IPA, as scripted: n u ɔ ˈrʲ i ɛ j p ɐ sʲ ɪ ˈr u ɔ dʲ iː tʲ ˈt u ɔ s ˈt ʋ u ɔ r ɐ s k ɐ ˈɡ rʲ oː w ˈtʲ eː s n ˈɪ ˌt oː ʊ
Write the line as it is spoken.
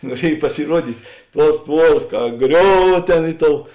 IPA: n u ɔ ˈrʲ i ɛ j p ɐ sʲ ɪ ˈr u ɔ dʲ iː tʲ ˈt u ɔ s ˈt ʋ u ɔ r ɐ s k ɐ ˈɡ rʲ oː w ˈtʲ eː n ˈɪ ˌt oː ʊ